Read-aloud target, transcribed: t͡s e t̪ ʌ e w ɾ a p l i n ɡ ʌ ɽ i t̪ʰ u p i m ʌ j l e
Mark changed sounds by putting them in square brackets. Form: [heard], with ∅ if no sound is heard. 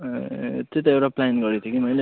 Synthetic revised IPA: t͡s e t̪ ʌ e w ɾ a p l [a] n ɡ ʌ [ɾ] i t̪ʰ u [k] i m ʌ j l e

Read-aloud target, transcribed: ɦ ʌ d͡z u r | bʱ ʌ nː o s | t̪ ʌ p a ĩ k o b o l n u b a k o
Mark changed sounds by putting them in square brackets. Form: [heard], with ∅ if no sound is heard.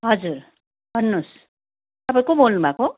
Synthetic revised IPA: ɦ ʌ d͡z u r | bʱ ʌ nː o s | t̪ ʌ p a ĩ k o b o l n u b a k o

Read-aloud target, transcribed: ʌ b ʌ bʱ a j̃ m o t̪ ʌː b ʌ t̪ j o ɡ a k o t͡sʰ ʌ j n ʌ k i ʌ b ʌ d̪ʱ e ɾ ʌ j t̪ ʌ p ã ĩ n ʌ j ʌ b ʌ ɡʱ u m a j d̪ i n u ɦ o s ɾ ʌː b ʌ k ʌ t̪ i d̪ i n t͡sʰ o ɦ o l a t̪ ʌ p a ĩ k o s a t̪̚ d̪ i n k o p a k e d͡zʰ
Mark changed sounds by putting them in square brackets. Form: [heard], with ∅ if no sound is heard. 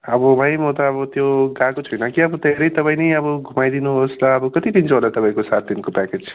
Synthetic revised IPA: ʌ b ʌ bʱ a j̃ m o t̪ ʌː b ʌ t̪ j o ɡ a k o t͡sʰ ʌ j n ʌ k i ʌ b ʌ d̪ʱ e ɾ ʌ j t̪ ʌ p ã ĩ n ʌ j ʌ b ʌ ɡʱ u m a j d̪ i n u ɦ o s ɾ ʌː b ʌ k ʌ t̪ i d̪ i n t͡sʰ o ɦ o l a t̪ ʌ p a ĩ k o s a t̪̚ d̪ i n k o p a k e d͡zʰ

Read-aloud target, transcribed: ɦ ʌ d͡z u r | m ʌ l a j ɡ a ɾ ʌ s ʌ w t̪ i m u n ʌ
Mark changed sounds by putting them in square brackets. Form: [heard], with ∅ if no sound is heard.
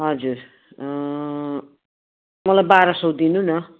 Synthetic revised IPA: ɦ ʌ d͡z u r | m ʌ l a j [b] a ɾ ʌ s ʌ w [d̪] i [n] u n ʌ

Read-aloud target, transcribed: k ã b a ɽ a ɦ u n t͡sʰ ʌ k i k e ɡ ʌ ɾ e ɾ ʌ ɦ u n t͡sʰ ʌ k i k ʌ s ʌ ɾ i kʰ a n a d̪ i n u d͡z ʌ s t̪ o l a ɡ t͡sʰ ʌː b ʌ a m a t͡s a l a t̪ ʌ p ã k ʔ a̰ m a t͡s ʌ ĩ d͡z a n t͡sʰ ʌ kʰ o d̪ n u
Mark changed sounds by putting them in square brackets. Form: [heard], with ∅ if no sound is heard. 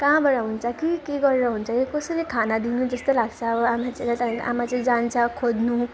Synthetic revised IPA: k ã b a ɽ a ɦ u n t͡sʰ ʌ k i k e ɡ ʌ ɾ e ɾ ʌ ɦ u n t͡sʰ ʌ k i k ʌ s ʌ ɾ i kʰ a n a d̪ i n u d͡z ʌ s t̪ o l a ɡ t͡sʰ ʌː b ʌ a m a t͡s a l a t̪ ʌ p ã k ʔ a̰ m a t͡s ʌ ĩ d͡z a n t͡sʰ ʌ kʰ o d̪ n u

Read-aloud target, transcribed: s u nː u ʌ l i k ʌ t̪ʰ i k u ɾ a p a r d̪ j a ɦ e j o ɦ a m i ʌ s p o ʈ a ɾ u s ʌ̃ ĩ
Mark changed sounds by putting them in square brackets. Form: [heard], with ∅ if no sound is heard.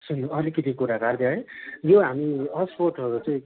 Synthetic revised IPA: s u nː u ʌ l i k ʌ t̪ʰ i k u ɾ a [k] a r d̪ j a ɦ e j o ɦ a m i ʌ s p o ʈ [ʌ] ɾ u [t͡s] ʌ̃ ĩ

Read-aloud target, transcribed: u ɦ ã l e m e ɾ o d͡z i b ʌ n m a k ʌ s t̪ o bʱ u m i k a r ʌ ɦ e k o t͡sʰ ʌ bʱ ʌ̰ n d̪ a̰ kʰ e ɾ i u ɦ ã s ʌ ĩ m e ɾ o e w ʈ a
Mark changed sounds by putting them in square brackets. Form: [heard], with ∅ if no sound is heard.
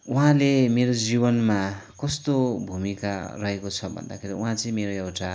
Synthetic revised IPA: u ɦ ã l e m e ɾ o d͡z i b ʌ n m a k ʌ s t̪ o bʱ u m i k a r ʌ ɦ e k o t͡sʰ ʌ bʱ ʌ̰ n d̪ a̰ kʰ e ɾ i u ɦ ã [t͡s] ʌ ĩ m e ɾ o e w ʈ a

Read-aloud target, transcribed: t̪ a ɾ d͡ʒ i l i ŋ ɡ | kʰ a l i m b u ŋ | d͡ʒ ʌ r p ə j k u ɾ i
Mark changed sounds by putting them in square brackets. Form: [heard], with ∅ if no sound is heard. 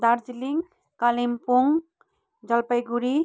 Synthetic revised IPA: [d̪] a ɾ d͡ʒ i l i ŋ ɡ | [k] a l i m [p] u ŋ | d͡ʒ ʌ [l] p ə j [ɡ] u ɾ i

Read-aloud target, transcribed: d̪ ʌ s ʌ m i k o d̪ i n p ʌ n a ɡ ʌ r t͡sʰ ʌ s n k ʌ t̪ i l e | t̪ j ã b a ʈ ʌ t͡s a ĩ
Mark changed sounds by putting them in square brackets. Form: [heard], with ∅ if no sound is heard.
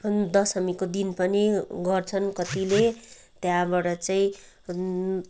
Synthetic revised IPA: d̪ ʌ s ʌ m i k o d̪ i n p ʌ n [i] ɡ ʌ r t͡sʰ ʌ [∅] n k ʌ t̪ i l e | t̪ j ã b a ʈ ʌ t͡s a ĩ

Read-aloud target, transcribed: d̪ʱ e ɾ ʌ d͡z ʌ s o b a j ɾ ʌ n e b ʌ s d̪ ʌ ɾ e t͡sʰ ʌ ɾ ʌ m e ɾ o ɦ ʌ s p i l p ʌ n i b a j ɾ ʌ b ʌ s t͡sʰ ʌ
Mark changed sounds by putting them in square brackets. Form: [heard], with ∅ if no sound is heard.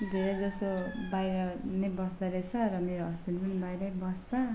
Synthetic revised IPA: d̪ʱ e ɾ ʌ d͡z ʌ s o b a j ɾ ʌ n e b ʌ s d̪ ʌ ɾ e t͡sʰ ʌ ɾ ʌ m e ɾ o ɦ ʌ s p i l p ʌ n i b a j ɾ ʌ b ʌ s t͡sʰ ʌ

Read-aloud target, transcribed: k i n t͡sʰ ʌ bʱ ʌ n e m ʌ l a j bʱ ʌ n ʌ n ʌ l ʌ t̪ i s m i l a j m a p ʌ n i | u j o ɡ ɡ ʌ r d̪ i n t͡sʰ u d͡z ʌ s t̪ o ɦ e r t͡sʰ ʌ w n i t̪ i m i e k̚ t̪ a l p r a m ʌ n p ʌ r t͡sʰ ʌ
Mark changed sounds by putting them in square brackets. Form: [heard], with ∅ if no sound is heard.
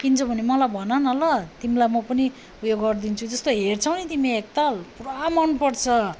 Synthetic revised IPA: k i n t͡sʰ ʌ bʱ ʌ n e m ʌ l a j bʱ ʌ n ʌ n ʌ l ʌ t̪ i [∅] m i l a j m [ʌ] p ʌ n i | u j o ɡ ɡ ʌ r d̪ i n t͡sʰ u d͡z ʌ s t̪ o ɦ e r t͡sʰ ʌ w n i t̪ i m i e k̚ t̪ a l p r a m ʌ n p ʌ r t͡sʰ ʌ

